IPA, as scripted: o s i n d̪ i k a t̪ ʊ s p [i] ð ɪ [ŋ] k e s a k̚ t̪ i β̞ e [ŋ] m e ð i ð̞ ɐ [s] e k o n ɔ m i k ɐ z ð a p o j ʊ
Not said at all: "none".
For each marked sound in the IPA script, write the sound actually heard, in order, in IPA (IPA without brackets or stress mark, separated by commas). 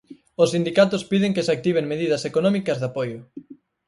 i, ŋ, ŋ, s